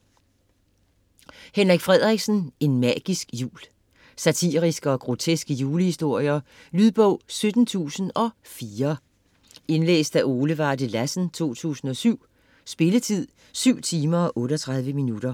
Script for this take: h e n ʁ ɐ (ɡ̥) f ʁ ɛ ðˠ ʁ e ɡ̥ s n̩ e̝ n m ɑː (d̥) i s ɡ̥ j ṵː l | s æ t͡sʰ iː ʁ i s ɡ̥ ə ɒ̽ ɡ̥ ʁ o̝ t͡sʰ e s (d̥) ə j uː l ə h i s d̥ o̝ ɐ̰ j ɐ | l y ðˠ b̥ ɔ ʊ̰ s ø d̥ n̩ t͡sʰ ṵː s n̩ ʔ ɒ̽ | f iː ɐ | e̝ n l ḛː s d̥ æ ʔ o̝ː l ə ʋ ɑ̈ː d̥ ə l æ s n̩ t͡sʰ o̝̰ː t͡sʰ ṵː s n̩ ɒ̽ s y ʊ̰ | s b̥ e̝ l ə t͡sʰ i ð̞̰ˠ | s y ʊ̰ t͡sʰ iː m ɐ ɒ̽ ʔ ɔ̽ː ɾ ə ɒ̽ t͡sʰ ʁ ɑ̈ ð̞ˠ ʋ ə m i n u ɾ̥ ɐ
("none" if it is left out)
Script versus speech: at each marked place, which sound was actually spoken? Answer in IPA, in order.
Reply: ɡ̥, ɡ̥, ɡ̥

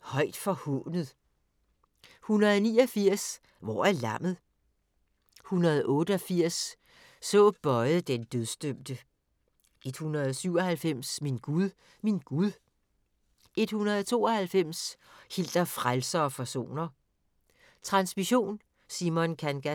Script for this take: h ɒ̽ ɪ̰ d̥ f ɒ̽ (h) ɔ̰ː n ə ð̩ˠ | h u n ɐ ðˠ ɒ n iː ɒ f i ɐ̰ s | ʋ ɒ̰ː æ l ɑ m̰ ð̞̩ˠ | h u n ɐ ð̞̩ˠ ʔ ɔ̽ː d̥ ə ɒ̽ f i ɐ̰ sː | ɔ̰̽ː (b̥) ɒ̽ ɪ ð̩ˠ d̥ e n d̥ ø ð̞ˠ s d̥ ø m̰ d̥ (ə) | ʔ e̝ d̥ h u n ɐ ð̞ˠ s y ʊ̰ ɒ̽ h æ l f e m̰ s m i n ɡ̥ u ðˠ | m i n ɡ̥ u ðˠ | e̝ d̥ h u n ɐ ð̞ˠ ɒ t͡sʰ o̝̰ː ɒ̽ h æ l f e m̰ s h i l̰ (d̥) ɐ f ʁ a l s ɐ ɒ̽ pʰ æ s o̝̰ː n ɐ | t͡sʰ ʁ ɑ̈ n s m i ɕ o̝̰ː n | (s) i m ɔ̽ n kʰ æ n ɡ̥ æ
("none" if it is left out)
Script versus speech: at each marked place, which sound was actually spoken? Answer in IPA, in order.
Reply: h, b̥, ə, d̥, s

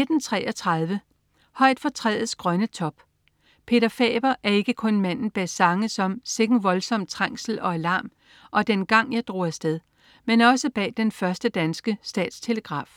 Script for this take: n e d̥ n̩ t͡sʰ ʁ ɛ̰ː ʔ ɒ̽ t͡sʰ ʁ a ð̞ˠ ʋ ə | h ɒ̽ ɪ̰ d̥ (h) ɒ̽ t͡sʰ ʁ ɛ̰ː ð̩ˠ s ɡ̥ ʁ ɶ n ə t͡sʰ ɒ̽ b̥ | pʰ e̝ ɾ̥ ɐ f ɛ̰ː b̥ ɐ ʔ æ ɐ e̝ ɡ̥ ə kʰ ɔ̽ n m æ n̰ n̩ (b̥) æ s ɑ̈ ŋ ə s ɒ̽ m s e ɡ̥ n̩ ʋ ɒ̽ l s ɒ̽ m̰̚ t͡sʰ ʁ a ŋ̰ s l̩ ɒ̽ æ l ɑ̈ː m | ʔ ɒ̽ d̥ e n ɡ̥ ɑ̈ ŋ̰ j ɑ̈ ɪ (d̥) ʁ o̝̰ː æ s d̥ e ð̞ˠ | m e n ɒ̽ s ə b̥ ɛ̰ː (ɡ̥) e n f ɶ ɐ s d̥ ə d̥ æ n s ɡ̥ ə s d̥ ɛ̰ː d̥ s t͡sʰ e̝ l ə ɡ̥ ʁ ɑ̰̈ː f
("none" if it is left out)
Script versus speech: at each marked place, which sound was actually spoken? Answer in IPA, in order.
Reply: f, b̥, d̥, d̥

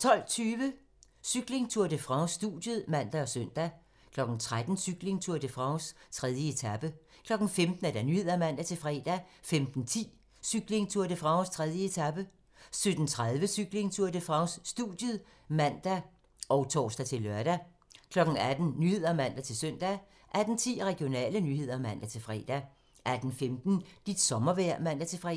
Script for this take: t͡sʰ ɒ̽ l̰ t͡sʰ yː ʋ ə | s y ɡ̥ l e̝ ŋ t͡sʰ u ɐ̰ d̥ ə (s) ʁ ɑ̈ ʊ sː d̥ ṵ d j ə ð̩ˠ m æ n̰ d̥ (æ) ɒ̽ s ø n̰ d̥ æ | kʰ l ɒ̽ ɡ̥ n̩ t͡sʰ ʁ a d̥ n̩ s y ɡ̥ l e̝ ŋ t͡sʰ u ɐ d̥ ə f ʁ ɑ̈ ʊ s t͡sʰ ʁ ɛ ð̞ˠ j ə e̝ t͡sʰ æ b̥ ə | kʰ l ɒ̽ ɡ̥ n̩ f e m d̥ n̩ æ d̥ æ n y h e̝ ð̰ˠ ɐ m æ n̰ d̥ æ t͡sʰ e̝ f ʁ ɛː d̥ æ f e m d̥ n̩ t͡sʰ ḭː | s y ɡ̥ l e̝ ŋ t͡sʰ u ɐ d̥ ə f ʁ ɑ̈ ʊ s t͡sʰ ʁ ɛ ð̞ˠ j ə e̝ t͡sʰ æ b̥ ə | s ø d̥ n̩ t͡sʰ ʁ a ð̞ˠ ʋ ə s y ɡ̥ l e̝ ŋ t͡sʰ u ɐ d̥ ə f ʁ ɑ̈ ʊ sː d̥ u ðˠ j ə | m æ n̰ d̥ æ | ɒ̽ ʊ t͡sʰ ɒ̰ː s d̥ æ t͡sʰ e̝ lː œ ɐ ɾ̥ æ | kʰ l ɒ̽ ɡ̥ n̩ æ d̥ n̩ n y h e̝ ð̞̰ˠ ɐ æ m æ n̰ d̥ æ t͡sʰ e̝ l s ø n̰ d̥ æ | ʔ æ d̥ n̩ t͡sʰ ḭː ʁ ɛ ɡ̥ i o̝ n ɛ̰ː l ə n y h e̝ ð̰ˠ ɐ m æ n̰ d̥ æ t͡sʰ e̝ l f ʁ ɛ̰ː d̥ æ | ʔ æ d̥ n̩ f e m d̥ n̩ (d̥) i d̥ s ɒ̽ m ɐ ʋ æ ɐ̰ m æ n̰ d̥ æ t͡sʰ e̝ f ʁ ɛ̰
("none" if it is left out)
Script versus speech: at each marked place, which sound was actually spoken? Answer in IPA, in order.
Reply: f, æ, d̥

